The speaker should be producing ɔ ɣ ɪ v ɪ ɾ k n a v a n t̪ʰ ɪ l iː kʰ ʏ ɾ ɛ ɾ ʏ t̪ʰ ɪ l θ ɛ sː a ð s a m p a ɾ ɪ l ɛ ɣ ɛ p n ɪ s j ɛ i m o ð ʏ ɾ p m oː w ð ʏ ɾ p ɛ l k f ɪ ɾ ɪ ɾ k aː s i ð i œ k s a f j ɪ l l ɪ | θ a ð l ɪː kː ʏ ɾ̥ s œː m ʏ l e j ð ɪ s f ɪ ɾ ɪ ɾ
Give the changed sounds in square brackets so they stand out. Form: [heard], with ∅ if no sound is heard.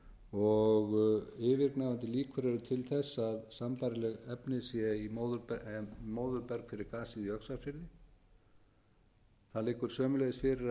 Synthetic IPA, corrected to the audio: ɔ ɣ ɪ v ɪ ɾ k n a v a n [t̪] ɪ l iː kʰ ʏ ɾ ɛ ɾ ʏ t̪ʰ ɪ l θ ɛ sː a ð s a m p a ɾ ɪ l ɛ ɣ ɛ p n ɪ s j ɛ i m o ð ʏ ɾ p m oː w ð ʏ ɾ p ɛ [ɾ] k f ɪ ɾ ɪ ɾ k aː s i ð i œ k s a f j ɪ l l ɪ | θ a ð l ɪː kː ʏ ɾ̥ s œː m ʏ l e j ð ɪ s f ɪ ɾ ɪ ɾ